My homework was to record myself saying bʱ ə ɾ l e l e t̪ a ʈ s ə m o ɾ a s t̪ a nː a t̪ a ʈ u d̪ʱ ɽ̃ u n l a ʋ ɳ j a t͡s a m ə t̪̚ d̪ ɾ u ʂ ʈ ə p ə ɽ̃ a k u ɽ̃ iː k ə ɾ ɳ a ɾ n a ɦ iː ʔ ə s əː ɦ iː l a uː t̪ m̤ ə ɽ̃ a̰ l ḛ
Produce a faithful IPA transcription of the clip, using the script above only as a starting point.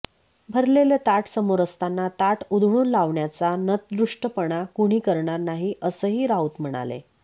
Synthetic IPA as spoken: bʱ ə ɾ l e l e t̪ a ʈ s ə m o ɾ ə s t̪ a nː a t̪ a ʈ u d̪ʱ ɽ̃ uː n l a ʋ ɳ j a t͡s a n ə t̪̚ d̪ ɾ u ʂ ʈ ə p ə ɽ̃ a k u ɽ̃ iː k ə ɾ ɳ a ɾ n a ɦ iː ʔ ə s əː ɦ iː ɾ a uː t̪ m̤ ə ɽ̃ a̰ l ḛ